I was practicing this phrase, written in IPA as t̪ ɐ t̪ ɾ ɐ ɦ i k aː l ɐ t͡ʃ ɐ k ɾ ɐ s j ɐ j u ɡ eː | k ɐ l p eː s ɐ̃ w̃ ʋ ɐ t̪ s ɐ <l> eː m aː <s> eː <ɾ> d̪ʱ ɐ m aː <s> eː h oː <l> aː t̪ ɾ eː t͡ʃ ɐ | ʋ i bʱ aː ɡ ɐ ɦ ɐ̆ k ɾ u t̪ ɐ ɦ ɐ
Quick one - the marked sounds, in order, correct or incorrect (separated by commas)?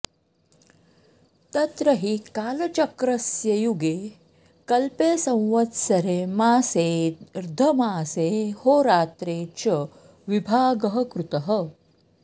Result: incorrect, correct, correct, correct, incorrect